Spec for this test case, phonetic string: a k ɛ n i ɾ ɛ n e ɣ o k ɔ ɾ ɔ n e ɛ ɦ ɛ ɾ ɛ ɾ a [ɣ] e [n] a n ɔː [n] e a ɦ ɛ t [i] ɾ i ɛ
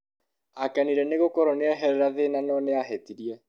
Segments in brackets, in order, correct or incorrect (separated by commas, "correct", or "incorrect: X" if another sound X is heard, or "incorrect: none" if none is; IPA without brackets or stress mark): incorrect: ð, correct, correct, correct